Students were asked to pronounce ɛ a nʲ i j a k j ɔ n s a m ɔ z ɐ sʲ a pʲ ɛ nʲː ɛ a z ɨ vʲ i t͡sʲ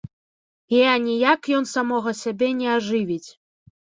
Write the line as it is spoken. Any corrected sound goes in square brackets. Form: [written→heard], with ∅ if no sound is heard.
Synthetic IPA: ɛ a nʲ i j a k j ɔ n s a m ɔ [z→ɣ] ɐ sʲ a [pʲ→bʲ] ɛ [nʲː→nʲ] ɛ a [z→ʐ] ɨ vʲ i t͡sʲ